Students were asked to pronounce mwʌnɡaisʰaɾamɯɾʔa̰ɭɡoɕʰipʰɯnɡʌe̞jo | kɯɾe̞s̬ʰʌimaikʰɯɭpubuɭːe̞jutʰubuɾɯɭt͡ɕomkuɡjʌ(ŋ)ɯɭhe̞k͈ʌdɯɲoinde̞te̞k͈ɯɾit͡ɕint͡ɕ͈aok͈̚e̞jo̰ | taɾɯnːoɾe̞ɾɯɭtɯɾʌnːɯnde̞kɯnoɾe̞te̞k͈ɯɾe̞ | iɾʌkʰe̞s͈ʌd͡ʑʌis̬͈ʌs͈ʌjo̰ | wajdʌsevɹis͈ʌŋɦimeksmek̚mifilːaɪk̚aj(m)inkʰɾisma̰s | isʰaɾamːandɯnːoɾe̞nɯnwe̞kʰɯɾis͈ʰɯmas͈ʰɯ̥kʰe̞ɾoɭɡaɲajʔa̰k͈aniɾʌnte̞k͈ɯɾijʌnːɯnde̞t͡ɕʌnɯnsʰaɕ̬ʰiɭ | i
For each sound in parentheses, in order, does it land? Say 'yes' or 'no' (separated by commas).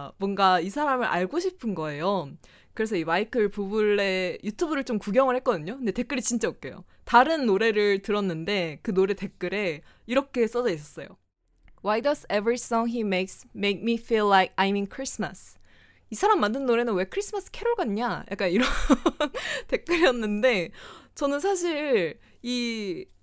yes, yes